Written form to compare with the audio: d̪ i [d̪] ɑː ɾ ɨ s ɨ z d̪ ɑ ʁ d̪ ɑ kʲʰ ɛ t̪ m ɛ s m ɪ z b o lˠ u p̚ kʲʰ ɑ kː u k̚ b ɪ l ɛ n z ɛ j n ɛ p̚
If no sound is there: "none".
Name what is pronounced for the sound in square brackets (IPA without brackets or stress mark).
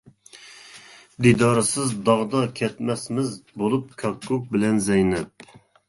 d̪